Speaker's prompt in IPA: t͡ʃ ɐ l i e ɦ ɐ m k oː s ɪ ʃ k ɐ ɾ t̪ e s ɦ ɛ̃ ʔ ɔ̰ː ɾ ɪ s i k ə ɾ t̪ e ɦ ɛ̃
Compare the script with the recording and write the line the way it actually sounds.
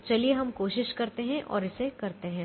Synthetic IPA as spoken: t͡ʃ ɐ l i e ɦ ɐ m k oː ʃ ɪ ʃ k ɐ ɾ t̪ e ɦ ɛ̃ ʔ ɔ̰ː ɾ ɪ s e k ɐ ɾ t̪ e ɦ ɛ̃